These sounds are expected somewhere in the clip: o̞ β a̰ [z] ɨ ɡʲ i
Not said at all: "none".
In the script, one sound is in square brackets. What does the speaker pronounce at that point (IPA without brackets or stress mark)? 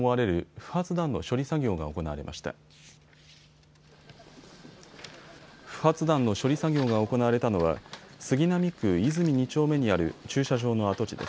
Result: s